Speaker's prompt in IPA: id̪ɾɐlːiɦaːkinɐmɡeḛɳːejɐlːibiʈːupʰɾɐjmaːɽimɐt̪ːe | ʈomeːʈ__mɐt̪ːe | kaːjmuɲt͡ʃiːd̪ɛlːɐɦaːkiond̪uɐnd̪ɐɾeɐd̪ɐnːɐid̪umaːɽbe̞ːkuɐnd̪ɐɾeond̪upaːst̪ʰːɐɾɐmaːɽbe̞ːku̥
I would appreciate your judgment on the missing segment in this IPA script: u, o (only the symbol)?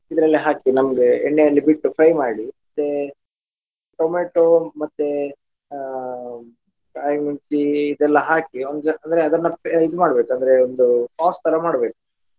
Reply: o